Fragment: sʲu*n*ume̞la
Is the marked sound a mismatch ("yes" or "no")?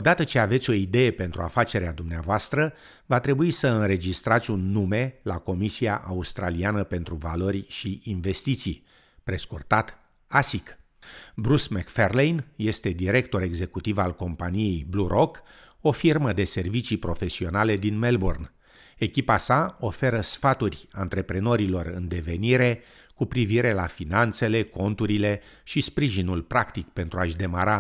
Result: yes